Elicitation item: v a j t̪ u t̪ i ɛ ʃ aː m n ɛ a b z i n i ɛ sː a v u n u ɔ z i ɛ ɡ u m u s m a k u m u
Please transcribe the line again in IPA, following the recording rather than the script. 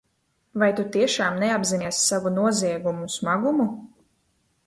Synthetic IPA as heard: v a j t̪ u t̪ i ɛ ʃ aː m n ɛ a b z i n i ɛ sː a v u n u ɔ z i ɛ ɡ u m u s m a ɡ u m u